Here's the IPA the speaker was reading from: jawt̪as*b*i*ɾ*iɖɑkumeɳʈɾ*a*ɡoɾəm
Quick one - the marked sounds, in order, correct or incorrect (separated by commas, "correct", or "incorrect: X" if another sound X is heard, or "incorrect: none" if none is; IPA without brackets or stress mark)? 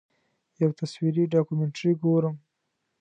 incorrect: w, correct, incorrect: i